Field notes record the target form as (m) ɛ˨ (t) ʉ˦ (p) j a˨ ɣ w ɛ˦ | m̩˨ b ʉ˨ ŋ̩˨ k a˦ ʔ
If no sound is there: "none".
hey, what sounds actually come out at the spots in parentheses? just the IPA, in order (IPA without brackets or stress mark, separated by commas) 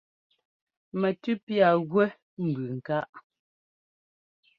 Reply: m, t, p